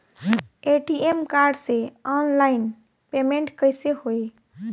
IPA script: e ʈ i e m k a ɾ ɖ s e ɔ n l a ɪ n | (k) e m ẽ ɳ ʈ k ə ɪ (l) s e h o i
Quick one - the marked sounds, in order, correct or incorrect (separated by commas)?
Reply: incorrect, incorrect